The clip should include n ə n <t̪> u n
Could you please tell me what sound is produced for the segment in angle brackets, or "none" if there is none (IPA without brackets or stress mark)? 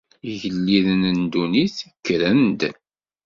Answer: d̪